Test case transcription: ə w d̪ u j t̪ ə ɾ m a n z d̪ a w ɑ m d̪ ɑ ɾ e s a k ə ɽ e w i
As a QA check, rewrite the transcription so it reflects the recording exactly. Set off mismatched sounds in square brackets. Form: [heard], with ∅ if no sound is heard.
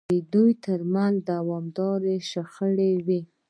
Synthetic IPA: ə [∅] d̪ u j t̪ ə ɾ m a n z d̪ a w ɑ m d̪ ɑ ɾ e [ʃ] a [x] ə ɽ e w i